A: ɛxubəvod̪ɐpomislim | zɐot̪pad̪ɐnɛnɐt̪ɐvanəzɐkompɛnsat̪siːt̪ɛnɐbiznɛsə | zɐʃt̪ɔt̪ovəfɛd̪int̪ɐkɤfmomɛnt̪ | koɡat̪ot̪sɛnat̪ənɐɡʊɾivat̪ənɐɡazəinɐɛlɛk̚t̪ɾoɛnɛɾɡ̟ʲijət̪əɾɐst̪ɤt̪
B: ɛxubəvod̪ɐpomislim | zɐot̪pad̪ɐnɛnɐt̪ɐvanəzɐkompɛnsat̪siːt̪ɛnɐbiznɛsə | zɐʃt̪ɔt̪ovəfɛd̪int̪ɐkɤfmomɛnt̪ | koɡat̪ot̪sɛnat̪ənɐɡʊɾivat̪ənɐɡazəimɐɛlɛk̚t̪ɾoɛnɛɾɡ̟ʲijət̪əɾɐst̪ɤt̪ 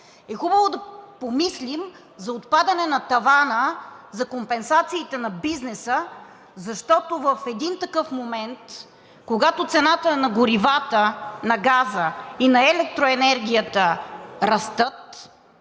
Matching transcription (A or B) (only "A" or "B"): A